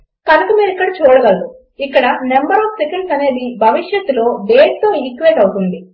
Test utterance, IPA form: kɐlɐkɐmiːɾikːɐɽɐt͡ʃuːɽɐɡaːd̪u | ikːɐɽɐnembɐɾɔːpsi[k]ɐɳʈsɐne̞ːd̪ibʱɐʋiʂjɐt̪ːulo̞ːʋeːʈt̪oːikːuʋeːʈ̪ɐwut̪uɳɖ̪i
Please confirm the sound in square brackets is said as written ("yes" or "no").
yes